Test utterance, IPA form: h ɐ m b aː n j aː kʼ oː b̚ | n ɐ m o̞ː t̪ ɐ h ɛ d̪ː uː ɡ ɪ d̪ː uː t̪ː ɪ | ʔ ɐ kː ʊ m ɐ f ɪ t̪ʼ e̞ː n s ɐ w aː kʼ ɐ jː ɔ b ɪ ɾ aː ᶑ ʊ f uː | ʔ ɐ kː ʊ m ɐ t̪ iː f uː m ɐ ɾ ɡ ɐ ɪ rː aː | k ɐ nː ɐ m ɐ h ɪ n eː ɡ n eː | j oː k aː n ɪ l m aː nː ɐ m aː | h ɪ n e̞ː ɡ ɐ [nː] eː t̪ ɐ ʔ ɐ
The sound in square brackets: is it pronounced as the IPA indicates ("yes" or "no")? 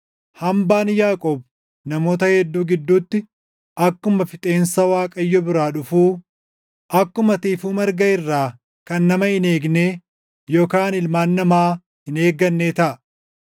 yes